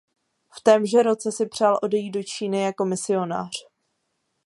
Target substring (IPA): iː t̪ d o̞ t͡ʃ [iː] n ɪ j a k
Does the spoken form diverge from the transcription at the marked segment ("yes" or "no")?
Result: no